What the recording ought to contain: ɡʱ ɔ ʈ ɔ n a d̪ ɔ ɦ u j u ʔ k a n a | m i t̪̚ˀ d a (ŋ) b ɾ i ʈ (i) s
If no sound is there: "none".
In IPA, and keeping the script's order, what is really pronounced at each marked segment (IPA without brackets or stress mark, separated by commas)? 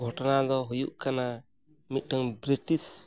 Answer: ŋ, i